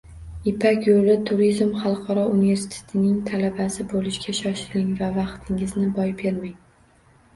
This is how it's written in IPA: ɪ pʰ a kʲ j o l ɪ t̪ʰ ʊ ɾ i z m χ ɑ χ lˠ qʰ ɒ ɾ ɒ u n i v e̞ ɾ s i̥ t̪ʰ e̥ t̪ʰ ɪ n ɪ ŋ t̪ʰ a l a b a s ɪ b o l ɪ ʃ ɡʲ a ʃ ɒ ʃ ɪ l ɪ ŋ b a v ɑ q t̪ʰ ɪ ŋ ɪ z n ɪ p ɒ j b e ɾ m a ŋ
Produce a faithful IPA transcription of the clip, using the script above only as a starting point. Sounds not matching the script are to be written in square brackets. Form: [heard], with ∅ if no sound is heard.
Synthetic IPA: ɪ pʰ a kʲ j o l ɪ t̪ʰ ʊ ɾ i z m χ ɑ [∅] lˠ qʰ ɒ ɾ ɒ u n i v e̞ ɾ s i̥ t̪ʰ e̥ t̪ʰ ɪ n ɪ ŋ t̪ʰ a l a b a s ɪ b o l ɪ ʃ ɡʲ a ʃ ɒ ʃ ɪ l ɪ ŋ [v] a v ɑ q t̪ʰ ɪ ŋ ɪ z n ɪ [b] ɒ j b e ɾ m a ŋ